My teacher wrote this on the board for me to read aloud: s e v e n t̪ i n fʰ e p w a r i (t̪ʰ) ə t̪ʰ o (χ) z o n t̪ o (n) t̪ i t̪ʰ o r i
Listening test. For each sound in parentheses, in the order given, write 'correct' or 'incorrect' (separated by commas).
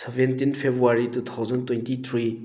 incorrect, correct, correct